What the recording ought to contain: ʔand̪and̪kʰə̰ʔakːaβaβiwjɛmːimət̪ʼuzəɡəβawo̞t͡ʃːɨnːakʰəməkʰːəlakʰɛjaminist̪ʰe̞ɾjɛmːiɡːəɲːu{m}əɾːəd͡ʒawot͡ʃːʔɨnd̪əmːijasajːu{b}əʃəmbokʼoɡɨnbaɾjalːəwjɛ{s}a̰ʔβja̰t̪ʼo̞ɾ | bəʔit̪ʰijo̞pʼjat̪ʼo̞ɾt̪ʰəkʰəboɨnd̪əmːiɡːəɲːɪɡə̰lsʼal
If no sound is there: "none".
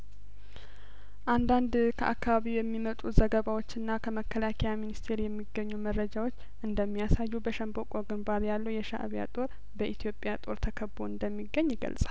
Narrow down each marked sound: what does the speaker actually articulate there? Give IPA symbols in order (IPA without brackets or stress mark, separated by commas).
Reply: m, b, ʃ